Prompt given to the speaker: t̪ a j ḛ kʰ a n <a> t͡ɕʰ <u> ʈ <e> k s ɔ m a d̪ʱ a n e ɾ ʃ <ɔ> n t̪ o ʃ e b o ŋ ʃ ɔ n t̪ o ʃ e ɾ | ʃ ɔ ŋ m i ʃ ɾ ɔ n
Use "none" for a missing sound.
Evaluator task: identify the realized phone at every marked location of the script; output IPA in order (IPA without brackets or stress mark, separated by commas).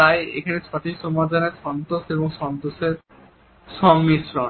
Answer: e, ɔ, i, ɔ